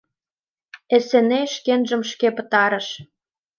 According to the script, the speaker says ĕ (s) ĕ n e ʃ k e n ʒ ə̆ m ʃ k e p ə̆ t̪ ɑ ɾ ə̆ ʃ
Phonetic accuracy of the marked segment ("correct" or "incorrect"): correct